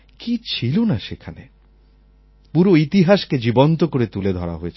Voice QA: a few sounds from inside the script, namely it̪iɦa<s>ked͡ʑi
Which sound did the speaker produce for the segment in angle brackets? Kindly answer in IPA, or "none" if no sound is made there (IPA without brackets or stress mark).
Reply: ʃ